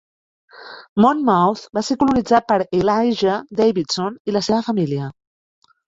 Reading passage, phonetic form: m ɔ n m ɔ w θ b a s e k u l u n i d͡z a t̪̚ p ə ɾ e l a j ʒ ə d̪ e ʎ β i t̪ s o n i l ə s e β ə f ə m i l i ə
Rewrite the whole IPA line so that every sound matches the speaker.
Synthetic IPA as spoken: m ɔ n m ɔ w θ b a s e k u l u n i d͡z a t̪̚ p ə ɾ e l a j ʒ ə d̪ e j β i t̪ s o n i l ə s e β ə f ə m i l i ə